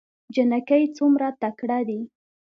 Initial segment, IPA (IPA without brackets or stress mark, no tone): d͡ʒ